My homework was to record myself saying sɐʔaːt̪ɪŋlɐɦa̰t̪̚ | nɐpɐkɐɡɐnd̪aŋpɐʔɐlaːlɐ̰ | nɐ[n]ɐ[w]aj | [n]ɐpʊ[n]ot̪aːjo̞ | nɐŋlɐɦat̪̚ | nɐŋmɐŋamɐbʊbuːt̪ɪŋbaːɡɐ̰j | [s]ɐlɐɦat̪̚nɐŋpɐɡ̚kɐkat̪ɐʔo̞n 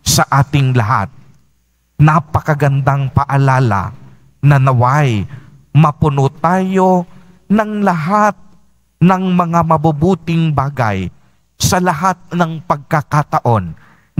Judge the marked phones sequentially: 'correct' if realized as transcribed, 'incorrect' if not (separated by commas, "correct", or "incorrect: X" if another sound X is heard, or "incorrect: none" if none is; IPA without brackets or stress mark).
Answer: correct, correct, incorrect: m, correct, correct